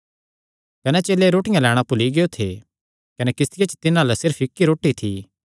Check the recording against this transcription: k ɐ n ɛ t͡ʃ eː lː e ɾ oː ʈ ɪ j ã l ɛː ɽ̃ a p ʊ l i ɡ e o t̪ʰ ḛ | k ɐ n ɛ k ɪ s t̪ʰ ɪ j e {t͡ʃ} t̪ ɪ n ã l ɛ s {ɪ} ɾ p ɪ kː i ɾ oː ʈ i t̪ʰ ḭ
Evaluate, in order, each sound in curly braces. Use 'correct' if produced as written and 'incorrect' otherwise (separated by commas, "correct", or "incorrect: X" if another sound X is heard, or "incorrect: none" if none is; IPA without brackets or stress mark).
correct, correct